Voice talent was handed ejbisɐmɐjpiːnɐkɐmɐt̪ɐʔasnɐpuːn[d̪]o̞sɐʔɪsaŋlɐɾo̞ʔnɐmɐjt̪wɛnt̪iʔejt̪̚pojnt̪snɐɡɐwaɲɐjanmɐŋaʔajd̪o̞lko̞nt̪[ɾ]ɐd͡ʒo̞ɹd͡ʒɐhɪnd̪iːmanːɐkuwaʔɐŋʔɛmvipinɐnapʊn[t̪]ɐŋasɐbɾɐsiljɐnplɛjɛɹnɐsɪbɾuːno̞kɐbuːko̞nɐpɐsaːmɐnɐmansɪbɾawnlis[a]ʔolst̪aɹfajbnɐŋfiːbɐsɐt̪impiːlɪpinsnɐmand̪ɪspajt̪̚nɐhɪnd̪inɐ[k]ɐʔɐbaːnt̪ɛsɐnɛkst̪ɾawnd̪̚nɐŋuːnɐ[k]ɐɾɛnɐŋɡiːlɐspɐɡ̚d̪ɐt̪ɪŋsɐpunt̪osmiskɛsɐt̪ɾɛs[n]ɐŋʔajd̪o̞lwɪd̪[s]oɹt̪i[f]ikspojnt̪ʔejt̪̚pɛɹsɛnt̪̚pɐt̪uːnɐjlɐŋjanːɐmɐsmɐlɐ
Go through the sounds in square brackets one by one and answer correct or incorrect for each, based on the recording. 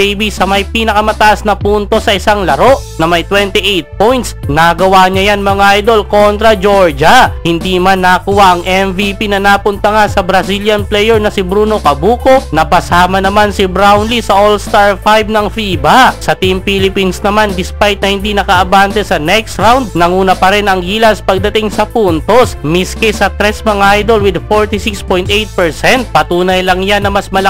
incorrect: t̪, correct, correct, incorrect: ɐ, correct, incorrect: p, incorrect: m, incorrect: f, incorrect: s

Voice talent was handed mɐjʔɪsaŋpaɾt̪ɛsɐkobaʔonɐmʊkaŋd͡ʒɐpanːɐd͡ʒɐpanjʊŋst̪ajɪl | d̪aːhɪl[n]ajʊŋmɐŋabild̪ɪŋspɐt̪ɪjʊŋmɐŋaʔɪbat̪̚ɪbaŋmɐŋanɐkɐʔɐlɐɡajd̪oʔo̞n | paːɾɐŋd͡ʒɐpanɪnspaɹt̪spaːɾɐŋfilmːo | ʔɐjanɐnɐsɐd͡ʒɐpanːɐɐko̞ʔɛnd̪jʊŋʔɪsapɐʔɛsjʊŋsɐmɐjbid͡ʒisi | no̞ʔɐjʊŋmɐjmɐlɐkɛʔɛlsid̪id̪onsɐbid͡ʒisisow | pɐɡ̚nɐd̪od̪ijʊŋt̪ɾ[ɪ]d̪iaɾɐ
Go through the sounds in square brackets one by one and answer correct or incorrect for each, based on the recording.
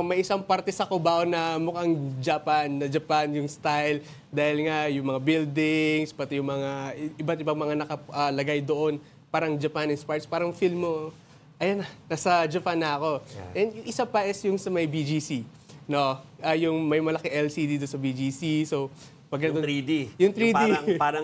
incorrect: ŋ, incorrect: i

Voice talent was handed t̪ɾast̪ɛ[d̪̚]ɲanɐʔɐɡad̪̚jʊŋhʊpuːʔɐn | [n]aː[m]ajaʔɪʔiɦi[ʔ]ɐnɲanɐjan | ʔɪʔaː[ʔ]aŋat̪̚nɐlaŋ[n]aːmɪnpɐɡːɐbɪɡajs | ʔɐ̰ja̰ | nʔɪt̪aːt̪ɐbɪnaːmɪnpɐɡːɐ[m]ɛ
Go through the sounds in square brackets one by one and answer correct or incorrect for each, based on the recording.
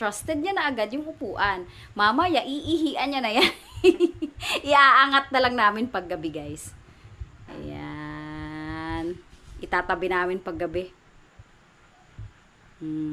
correct, incorrect: m, correct, correct, correct, correct, incorrect: b

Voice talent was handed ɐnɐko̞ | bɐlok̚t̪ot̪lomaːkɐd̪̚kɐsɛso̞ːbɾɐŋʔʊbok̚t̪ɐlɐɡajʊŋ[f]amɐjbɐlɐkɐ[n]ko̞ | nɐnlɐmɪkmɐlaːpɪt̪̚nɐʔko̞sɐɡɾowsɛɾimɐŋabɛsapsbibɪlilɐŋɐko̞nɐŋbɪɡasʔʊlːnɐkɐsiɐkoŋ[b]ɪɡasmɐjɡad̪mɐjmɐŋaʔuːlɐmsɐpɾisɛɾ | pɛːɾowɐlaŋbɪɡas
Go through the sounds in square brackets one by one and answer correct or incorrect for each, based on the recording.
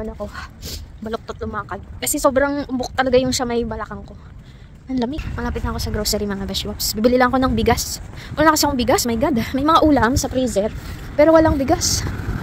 incorrect: ʃ, incorrect: ŋ, correct

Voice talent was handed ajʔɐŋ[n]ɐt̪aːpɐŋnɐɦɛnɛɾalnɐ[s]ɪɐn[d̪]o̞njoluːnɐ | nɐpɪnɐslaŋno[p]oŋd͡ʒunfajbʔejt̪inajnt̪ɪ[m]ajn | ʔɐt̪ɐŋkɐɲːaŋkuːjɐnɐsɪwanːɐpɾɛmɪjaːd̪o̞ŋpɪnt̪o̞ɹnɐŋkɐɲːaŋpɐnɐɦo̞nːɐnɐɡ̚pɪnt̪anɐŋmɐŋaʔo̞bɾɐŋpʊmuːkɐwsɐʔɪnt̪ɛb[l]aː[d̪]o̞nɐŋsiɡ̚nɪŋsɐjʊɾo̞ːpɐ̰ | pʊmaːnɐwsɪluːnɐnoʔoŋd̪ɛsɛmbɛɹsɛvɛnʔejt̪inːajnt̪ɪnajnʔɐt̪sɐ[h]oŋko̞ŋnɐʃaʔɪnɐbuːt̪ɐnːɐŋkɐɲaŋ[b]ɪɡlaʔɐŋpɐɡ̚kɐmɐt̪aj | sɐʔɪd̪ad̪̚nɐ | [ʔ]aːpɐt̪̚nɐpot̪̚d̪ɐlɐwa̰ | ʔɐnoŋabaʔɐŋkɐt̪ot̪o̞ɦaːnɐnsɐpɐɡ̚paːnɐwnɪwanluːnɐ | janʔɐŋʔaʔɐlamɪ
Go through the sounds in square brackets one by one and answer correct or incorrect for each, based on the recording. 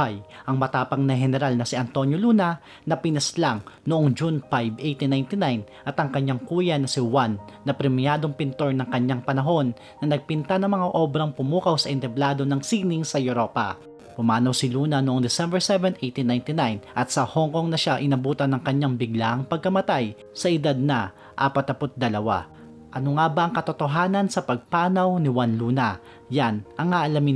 incorrect: m, correct, incorrect: t̪, incorrect: ʔ, incorrect: n, correct, correct, correct, correct, correct

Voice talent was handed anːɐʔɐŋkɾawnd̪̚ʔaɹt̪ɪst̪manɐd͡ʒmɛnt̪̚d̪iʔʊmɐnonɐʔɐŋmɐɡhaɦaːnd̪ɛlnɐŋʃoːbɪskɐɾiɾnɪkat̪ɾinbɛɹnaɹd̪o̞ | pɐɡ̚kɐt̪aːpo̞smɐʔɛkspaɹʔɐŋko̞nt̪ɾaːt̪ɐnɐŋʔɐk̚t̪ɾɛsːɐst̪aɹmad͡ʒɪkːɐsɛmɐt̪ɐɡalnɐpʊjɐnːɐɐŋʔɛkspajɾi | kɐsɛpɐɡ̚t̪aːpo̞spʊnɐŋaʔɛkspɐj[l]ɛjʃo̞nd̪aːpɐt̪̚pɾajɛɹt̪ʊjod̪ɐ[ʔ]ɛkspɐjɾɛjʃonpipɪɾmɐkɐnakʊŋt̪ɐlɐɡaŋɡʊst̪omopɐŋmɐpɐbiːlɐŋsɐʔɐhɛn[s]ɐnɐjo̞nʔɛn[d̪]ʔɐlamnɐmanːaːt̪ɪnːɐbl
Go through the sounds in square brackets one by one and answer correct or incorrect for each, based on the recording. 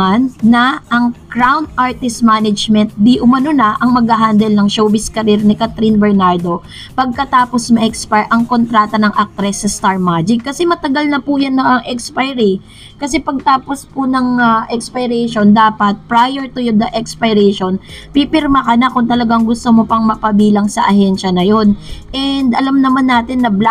incorrect: ɾ, correct, incorrect: ʃ, correct

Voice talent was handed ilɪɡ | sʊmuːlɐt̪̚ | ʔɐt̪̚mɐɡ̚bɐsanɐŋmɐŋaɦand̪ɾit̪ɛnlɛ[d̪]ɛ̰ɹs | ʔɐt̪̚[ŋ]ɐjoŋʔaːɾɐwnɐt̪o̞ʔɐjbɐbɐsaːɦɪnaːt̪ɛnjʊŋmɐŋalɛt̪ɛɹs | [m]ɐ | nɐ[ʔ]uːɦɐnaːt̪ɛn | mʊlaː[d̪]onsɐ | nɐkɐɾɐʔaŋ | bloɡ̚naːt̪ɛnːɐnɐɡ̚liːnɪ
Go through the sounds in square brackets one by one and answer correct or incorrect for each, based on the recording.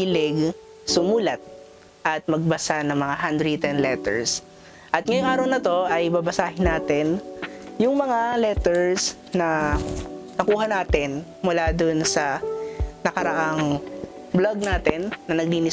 incorrect: t̪, correct, incorrect: n, incorrect: k, correct

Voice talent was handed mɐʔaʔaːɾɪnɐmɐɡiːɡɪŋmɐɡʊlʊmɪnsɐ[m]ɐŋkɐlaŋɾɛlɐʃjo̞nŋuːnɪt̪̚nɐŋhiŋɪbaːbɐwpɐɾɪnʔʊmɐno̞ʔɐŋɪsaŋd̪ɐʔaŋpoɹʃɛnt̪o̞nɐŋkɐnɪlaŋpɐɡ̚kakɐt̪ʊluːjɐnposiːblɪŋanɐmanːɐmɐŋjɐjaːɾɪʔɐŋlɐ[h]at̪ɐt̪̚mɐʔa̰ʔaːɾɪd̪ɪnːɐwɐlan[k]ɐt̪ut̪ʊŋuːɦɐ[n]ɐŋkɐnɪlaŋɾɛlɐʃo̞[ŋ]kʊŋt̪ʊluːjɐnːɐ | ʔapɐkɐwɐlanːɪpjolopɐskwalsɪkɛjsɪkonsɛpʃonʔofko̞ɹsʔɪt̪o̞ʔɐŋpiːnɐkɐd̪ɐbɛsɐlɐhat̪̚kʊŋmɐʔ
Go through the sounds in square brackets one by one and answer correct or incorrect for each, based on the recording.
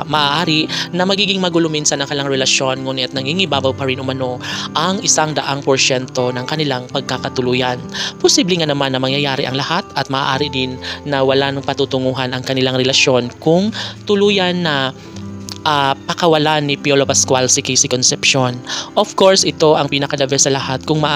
incorrect: n, correct, incorrect: p, correct, incorrect: n

